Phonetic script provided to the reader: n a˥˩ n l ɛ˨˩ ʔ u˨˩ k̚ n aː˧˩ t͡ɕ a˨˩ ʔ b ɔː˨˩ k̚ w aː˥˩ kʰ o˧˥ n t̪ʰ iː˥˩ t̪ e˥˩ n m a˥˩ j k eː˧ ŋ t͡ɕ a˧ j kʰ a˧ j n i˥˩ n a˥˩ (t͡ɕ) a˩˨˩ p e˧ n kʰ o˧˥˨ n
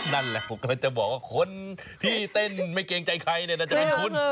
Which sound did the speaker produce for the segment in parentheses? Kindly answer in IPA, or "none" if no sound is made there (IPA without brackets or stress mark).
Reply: t͡ɕ